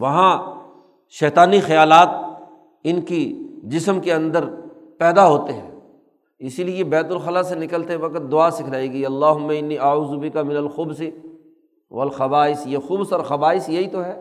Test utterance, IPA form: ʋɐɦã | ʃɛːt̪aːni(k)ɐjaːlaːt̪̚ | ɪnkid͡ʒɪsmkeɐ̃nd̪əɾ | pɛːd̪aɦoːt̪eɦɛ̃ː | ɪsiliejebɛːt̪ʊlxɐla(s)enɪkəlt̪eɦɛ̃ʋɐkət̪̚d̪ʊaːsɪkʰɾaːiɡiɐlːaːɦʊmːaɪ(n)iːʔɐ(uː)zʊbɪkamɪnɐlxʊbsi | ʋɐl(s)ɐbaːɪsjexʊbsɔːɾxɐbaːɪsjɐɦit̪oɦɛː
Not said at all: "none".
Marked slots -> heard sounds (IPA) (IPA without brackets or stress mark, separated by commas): x, s, nː, uː, x